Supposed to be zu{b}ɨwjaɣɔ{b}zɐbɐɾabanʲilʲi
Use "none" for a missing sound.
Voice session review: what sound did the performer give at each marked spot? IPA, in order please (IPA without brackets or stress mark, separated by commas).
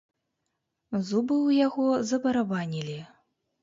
b, none